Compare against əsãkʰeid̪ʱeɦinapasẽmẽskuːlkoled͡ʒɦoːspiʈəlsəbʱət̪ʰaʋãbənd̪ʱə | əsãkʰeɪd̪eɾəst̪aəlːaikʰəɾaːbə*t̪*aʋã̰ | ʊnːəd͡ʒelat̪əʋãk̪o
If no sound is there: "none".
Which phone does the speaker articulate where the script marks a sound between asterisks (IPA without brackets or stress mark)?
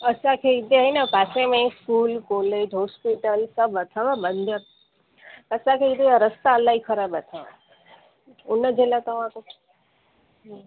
t̪ʰ